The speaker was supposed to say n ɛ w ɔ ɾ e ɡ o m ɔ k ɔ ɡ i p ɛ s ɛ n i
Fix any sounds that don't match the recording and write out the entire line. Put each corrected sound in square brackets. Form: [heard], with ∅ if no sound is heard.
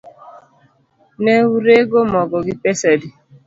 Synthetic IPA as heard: n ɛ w [u] ɾ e ɡ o m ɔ [ɡ] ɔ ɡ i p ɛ s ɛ [d] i

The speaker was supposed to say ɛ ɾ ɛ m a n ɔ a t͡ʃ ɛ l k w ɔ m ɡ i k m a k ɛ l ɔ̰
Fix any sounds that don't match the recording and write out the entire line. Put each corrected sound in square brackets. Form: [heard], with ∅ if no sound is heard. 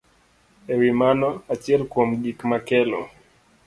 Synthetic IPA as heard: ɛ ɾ [i] m a n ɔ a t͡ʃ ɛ l k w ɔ m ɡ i k m a k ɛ l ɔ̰

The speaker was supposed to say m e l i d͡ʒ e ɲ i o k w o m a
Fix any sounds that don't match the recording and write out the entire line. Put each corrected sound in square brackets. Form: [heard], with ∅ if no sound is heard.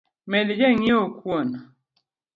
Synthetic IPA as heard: m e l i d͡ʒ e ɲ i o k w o [n] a

